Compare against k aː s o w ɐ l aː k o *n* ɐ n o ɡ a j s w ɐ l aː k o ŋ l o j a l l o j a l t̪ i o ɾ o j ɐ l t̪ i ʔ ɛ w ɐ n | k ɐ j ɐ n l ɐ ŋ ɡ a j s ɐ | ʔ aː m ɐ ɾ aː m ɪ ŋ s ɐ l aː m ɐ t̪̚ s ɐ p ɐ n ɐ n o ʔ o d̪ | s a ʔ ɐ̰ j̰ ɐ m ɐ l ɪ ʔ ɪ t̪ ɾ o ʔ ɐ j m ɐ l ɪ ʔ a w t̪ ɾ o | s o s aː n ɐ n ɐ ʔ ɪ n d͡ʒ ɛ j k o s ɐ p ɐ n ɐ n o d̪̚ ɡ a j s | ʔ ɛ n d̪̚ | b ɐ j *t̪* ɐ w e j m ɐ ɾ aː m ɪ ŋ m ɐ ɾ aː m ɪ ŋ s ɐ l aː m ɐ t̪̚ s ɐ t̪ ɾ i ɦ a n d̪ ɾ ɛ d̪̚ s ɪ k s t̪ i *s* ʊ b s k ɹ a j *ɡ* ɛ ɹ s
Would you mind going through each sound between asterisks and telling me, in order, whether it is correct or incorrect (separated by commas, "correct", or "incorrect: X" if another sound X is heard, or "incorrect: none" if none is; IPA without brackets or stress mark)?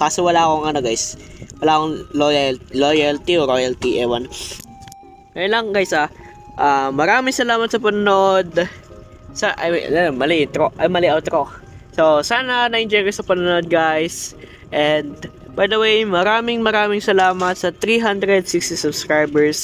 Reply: incorrect: ŋ, incorrect: d̪, correct, incorrect: b